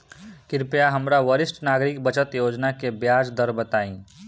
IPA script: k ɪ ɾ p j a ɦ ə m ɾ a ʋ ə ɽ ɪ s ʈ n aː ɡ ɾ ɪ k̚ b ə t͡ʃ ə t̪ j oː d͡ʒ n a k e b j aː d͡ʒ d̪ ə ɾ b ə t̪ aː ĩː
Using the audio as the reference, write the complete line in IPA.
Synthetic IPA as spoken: k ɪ ɾ p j a ɦ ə m ɾ a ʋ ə ɾ ɪ s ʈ n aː ɡ ɾ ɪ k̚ b ə t͡ʃ ə t̪ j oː d͡ʒ n a k e b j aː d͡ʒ d̪ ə ɾ b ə t̪ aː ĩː